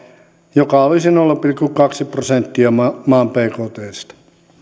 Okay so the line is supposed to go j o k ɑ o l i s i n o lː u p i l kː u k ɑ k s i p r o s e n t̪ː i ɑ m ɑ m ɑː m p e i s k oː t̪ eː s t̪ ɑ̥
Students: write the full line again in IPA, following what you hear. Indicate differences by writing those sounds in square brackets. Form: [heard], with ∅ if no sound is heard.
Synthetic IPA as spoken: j o k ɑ o l i s i n o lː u p i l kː u k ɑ k s i p r o s e n t̪ː i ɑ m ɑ m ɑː m p e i [∅] k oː t̪ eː s t̪ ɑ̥